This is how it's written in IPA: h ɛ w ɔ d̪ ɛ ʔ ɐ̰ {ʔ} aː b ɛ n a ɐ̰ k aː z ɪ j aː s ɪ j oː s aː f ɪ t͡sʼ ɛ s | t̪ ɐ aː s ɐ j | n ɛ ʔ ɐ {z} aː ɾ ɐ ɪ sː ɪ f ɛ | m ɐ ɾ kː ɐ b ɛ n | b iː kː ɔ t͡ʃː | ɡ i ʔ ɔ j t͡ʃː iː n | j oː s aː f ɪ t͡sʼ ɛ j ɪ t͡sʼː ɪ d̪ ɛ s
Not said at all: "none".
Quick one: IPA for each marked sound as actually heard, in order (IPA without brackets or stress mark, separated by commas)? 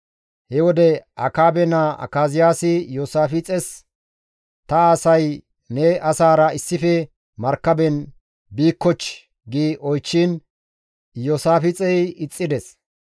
k, s